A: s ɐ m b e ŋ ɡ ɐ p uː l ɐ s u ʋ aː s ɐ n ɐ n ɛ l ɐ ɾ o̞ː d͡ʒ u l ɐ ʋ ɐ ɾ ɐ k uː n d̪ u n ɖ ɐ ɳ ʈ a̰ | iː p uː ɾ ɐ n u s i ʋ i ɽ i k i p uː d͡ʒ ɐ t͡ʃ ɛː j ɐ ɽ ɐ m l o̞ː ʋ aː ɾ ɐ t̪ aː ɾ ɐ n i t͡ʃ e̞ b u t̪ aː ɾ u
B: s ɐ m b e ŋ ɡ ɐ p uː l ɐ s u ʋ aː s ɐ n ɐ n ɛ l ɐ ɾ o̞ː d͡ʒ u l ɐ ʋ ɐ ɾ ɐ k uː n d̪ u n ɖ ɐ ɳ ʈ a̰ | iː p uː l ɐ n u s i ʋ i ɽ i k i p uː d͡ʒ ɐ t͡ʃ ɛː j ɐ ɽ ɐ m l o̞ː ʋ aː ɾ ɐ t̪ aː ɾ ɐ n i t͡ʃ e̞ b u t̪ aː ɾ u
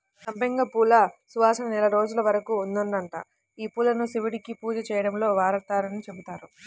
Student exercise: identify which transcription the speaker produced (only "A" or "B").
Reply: B